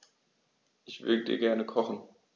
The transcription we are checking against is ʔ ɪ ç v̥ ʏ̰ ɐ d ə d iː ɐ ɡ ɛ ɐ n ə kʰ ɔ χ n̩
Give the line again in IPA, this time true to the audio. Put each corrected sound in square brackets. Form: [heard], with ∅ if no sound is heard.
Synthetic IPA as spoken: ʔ ɪ ç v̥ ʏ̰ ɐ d ə d iː ɐ ɡ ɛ ɐ n ə kʰ ɔ χ n̩